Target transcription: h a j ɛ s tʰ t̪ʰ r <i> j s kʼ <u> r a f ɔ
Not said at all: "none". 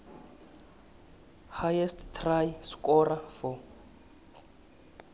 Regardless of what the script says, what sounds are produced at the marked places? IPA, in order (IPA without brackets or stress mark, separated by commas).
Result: a, ɔ